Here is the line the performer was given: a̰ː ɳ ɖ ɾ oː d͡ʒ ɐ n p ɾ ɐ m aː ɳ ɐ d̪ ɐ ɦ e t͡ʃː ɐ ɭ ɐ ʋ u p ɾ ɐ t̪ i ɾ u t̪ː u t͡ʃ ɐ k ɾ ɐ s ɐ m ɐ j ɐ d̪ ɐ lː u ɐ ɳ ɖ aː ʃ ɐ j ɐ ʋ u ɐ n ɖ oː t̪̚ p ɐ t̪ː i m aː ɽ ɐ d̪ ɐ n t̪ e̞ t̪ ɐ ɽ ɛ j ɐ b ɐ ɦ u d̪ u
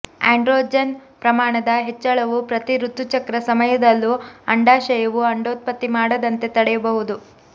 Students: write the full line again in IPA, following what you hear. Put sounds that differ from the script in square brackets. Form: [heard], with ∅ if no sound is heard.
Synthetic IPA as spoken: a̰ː ɳ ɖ ɾ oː d͡ʒ ɐ n p ɾ ɐ m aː ɳ ɐ d̪ ɐ ɦ e t͡ʃː ɐ ɭ ɐ ʋ u p ɾ ɐ t̪ i ɾ u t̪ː u t͡ʃ ɐ k ɾ ɐ s ɐ m ɐ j ɐ d̪ ɐ lː u ɐ ɳ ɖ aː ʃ ɐ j ɐ ʋ u ɐ [ɳ] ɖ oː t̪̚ p ɐ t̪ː i m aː ɽ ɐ d̪ ɐ n t̪ e̞ t̪ ɐ ɽ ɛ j ɐ b ɐ ɦ u d̪ u